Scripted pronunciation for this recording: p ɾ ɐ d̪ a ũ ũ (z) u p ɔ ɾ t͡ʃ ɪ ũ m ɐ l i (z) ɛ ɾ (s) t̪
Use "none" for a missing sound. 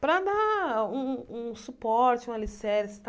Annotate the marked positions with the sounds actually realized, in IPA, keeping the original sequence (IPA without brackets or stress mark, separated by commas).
s, s, s